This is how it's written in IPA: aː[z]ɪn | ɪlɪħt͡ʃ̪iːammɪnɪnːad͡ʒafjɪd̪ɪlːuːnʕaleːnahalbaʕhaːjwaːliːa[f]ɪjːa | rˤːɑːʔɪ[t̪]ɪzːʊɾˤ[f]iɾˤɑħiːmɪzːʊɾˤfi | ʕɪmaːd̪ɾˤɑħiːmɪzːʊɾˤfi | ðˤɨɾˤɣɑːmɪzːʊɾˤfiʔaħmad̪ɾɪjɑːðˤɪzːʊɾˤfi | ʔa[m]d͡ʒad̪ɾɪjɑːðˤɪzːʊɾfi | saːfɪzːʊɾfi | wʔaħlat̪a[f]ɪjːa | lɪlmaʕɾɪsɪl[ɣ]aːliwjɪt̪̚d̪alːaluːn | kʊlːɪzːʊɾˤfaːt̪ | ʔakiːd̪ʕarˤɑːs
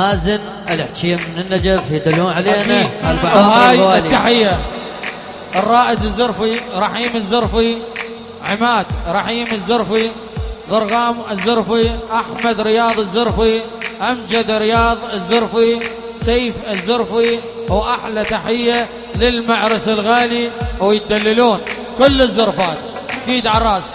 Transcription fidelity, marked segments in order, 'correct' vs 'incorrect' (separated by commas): correct, incorrect, incorrect, correct, correct, incorrect, correct